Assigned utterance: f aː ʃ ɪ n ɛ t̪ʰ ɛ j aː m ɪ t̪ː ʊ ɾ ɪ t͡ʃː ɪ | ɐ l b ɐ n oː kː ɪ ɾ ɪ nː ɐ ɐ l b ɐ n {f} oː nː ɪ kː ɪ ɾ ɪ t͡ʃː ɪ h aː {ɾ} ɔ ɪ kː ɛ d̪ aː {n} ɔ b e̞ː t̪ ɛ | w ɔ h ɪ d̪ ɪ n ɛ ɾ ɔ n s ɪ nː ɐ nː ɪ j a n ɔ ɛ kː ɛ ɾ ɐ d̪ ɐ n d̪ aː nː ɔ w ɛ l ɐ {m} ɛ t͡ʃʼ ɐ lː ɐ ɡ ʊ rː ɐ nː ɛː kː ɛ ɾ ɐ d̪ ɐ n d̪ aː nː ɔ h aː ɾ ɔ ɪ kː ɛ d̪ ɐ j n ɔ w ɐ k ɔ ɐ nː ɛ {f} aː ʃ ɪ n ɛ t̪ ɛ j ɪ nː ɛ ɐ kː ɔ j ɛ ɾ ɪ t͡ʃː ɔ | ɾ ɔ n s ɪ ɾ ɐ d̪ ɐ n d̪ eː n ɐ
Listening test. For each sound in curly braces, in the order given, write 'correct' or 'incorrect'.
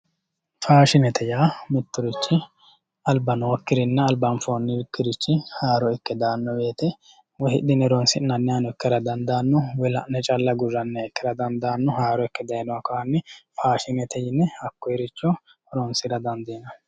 correct, correct, incorrect: nː, incorrect: n, correct

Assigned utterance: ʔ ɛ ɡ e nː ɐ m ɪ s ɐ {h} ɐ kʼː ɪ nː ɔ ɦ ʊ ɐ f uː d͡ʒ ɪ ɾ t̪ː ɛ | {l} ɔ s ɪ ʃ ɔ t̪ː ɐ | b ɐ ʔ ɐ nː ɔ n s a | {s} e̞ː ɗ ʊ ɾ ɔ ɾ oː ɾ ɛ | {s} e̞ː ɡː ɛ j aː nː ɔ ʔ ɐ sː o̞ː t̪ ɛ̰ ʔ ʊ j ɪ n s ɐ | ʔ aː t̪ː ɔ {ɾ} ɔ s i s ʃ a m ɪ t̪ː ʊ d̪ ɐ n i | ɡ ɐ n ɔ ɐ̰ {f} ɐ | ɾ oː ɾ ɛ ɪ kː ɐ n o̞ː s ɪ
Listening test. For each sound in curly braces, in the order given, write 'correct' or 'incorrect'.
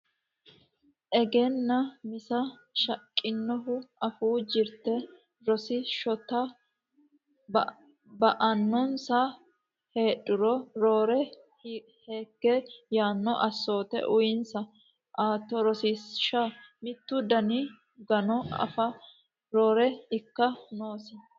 incorrect: ʃ, incorrect: ɾ, incorrect: h, incorrect: h, correct, correct

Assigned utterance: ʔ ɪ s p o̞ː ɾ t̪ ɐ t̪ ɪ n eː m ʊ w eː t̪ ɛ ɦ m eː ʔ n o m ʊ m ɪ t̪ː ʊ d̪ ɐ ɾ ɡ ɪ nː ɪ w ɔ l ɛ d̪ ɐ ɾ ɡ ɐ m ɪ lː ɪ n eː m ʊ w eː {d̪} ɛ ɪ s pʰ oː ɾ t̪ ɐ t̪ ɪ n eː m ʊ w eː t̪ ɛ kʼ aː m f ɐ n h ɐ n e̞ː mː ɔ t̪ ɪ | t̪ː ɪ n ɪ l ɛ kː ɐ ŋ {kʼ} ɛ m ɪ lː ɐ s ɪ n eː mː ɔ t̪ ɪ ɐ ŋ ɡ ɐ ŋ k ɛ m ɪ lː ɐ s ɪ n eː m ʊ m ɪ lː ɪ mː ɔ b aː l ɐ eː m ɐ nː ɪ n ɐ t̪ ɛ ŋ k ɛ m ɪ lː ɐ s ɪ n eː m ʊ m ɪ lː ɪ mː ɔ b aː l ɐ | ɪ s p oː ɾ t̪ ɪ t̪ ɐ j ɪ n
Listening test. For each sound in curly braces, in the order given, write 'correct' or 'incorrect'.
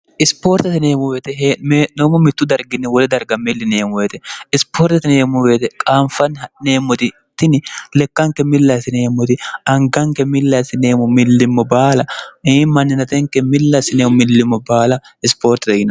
incorrect: t̪, incorrect: k

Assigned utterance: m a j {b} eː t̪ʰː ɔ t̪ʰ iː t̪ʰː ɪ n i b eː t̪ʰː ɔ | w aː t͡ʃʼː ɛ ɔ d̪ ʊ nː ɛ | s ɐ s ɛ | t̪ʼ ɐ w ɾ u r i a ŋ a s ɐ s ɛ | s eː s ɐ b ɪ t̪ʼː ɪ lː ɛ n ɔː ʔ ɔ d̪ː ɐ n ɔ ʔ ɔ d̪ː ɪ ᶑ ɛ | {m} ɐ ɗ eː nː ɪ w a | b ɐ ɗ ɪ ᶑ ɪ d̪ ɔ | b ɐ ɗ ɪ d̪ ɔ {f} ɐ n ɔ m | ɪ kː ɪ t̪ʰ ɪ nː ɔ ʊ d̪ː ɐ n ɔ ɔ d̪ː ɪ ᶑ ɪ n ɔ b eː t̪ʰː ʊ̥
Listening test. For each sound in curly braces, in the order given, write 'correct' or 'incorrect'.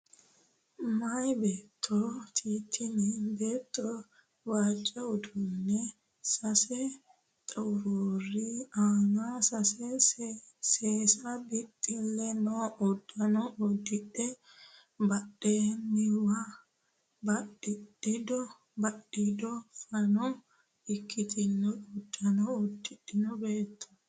correct, incorrect: b, correct

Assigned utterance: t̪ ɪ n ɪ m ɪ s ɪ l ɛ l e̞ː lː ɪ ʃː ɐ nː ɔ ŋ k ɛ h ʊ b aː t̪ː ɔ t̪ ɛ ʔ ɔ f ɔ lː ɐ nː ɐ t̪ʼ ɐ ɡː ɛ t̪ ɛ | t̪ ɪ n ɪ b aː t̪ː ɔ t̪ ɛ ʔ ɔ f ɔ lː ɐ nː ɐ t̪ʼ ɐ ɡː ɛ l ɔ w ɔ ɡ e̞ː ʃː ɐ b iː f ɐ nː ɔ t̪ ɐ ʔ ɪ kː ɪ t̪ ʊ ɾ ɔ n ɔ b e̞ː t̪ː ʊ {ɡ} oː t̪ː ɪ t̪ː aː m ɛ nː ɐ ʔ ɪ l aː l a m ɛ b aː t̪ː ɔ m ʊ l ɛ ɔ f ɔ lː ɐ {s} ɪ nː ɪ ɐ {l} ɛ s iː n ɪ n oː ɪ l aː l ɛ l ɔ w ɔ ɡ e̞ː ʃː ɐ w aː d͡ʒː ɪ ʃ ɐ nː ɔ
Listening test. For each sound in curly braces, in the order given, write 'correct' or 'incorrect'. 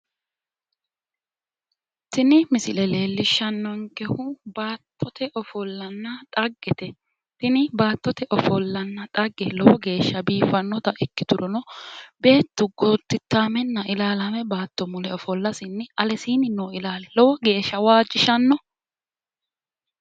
correct, correct, correct

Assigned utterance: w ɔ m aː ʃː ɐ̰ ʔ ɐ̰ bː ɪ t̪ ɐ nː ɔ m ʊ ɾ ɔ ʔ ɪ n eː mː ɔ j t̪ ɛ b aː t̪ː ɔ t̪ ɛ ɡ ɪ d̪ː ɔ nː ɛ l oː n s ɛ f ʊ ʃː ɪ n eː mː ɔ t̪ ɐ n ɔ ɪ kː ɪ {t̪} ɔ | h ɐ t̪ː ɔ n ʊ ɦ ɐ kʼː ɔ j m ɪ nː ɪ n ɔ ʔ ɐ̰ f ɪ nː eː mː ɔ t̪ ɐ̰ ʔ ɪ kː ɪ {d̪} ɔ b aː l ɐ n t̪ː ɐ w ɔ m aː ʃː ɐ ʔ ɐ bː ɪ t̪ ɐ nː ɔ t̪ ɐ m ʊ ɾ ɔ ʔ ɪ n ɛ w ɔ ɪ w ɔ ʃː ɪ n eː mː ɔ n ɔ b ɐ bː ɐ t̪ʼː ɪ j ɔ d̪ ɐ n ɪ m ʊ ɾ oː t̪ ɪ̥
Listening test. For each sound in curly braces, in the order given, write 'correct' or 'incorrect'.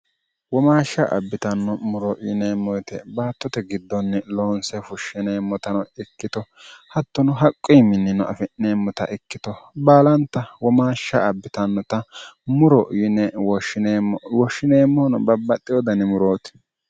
correct, incorrect: t̪

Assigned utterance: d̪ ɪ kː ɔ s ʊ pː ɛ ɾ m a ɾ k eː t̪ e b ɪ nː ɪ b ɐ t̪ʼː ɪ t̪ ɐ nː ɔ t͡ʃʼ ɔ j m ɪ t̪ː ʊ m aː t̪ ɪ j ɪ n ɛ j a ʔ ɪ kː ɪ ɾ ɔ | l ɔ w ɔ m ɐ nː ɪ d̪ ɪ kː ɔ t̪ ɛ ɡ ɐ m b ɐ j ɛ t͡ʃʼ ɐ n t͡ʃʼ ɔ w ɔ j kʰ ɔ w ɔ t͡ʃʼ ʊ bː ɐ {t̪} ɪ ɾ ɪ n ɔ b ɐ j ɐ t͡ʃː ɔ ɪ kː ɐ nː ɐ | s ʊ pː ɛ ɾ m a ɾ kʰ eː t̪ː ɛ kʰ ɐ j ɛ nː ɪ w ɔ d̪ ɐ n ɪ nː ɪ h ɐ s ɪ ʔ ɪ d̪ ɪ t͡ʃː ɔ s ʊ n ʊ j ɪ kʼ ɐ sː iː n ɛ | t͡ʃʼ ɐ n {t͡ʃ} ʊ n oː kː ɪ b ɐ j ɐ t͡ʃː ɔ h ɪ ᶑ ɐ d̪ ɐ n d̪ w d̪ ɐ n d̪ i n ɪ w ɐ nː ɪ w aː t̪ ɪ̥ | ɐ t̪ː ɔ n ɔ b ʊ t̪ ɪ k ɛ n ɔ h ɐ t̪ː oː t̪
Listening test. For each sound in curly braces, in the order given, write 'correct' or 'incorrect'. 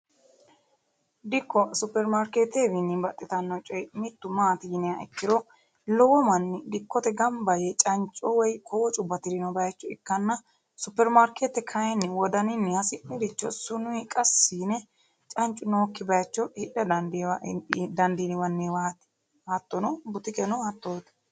correct, incorrect: t͡ʃʼ

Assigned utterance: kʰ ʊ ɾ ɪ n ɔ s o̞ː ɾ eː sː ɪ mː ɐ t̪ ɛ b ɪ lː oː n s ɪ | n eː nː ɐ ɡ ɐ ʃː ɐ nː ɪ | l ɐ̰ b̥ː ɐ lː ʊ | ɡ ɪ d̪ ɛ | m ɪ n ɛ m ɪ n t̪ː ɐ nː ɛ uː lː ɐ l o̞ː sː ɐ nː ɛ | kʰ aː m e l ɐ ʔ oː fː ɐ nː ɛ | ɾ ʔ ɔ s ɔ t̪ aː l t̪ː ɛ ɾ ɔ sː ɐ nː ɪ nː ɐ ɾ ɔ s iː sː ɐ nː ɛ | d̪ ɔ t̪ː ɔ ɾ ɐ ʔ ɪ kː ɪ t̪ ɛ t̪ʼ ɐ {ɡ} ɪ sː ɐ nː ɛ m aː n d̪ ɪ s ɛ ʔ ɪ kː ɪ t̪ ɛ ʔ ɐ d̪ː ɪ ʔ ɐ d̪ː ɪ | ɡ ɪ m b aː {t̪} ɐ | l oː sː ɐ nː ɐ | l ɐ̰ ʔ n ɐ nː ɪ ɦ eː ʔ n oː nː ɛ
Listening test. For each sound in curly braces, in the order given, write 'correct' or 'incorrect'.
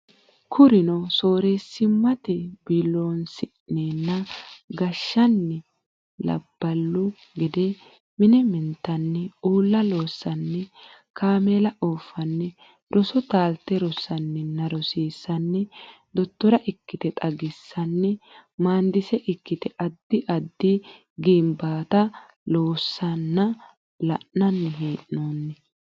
correct, correct

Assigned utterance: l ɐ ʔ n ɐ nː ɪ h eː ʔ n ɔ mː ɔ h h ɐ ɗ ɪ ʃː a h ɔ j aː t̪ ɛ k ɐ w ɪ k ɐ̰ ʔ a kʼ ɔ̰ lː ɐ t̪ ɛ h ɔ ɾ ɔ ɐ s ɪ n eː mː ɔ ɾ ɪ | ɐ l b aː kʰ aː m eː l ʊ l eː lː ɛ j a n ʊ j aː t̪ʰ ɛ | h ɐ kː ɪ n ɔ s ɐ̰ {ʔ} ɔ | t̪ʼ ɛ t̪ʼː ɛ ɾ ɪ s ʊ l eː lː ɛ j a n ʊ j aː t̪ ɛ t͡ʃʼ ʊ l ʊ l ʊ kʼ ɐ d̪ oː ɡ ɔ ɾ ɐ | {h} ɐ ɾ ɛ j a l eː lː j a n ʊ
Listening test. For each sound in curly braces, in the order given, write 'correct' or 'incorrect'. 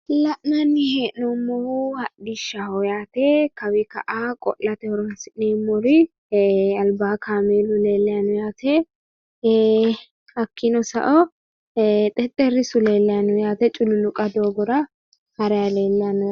correct, correct

